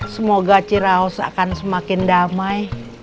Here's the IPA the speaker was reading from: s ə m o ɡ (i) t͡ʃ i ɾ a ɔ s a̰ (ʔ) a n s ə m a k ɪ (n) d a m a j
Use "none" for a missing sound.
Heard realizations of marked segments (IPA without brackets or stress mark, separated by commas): a, k, n